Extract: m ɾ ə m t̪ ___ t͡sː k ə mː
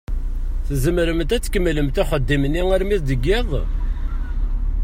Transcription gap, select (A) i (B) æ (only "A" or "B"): B